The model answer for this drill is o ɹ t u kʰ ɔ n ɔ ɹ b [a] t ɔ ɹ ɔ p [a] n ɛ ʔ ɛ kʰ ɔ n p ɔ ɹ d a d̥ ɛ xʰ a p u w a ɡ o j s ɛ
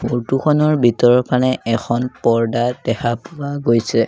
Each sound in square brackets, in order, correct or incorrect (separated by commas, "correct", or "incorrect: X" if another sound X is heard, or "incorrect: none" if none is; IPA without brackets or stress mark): incorrect: i, correct